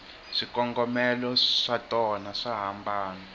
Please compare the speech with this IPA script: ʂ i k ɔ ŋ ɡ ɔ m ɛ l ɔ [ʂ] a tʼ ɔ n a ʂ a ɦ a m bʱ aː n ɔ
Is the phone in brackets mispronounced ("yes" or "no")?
no